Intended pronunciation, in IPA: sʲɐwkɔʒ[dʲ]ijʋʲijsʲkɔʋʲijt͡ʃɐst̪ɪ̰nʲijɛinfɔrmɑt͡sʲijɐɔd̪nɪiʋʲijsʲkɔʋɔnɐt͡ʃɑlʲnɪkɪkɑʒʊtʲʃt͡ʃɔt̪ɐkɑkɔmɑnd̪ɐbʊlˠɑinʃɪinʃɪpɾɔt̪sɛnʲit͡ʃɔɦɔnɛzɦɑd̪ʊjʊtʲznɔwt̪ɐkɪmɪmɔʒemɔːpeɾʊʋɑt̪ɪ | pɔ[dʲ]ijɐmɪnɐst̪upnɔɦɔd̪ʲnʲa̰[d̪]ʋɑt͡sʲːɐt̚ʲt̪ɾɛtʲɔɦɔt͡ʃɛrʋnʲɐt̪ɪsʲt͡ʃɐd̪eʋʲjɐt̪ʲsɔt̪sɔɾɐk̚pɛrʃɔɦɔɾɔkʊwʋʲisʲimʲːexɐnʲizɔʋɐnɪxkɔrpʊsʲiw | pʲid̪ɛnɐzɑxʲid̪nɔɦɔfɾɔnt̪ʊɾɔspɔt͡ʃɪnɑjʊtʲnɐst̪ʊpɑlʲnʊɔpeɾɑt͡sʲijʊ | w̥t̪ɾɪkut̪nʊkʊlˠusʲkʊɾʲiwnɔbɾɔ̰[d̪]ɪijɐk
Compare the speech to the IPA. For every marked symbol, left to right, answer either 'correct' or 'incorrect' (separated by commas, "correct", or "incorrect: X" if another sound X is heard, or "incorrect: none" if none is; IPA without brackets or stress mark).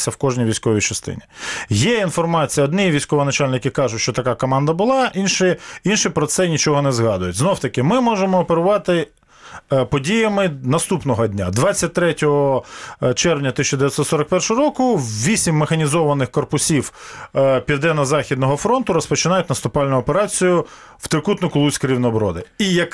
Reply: incorrect: nʲ, correct, correct, correct